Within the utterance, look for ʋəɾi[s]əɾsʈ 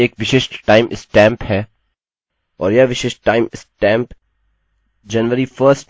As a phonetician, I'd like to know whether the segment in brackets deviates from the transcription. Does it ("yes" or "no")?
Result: yes